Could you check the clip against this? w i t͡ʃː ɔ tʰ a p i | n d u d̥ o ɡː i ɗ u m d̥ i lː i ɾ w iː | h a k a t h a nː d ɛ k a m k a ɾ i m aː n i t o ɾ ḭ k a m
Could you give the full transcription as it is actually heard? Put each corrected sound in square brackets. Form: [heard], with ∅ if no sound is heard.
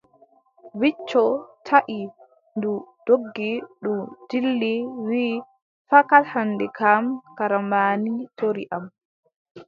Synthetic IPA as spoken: w i t͡ʃː ɔ tʰ a [ʔ] i | n d u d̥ o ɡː i ɗ u m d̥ i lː i [∅] w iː | [f] a k a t h a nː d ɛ k a m k a ɾ [a] m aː n i t o ɾ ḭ [ʔ] a m